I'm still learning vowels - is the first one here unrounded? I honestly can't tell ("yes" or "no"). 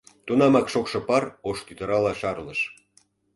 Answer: no